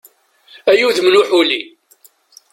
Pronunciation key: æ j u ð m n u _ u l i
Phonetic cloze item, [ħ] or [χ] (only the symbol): ħ